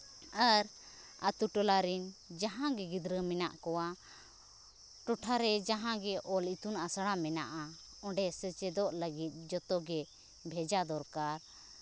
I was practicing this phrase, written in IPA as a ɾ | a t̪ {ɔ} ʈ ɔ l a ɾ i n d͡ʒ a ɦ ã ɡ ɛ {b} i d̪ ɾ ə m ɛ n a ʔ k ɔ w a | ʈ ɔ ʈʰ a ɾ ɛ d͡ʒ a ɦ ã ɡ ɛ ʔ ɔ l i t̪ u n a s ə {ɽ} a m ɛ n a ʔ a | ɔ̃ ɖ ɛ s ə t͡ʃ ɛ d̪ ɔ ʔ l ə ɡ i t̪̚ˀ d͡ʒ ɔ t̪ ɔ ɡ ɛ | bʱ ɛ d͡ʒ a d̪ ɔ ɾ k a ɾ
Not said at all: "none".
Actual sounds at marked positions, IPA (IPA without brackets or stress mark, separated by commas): u, ɡ, ɽ